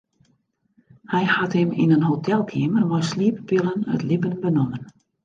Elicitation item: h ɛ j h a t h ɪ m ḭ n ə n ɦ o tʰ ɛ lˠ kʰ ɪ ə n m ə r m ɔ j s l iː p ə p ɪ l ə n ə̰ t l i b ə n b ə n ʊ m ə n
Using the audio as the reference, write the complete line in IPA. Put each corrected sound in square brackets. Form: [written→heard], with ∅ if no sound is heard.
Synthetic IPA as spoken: h ɛ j h a t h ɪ m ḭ n ə n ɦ o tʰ ɛ lˠ kʰ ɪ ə [n→∅] m ə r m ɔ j s l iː p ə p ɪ l ə n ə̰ t l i b ə n b ə n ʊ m ə n

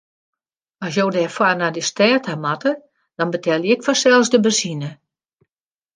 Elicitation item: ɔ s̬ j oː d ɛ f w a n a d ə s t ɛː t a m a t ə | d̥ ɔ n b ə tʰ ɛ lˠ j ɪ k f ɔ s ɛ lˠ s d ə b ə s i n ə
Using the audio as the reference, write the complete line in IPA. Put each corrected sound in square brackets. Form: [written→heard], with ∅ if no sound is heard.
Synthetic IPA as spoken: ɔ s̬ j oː d ɛ f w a n a d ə s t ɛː t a m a t ə | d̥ ɔ n b ə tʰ ɛ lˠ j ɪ k f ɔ s ɛ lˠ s d ə b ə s i n ə

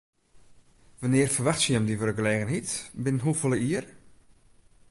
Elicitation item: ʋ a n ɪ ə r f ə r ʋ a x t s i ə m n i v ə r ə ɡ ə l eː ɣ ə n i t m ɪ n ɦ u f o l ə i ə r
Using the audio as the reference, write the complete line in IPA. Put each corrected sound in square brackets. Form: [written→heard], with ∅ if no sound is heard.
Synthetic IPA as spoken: ʋ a n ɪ ə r f ə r ʋ a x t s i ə m [n→d] i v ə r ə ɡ ə l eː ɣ ə n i t [m→b] ɪ n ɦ u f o l ə i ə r

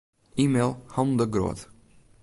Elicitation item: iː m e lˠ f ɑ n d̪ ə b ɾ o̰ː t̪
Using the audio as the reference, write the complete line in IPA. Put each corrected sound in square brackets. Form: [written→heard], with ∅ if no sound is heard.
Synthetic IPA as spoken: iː m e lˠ [f→h] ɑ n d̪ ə [b→ɡ] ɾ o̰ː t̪

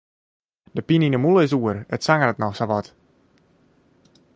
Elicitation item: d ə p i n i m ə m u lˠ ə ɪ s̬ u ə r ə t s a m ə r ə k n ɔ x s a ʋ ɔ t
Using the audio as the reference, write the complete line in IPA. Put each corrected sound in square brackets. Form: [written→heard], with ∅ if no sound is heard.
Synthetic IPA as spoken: d ə p i n i [m→n] ə m u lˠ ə ɪ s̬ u ə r ə t s a [m→ŋ] ə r ə [k→t] n ɔ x s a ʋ ɔ t

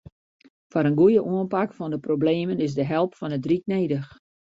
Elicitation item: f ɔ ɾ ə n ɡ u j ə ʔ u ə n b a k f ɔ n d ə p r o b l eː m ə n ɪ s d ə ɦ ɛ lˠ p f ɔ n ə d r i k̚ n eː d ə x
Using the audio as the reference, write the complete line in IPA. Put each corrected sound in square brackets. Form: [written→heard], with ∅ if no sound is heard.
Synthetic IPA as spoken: f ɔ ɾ ə n ɡ u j ə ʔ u ə n [b→p] a k f ɔ n d ə p r o b l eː m ə n ɪ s d ə ɦ ɛ lˠ p f ɔ n ə d r i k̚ n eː d ə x

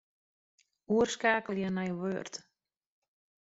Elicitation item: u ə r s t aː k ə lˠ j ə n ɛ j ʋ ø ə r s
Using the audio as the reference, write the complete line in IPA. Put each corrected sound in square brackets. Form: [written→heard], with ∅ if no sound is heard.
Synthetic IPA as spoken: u ə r s [t→k] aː k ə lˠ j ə n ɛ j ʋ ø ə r [s→t]

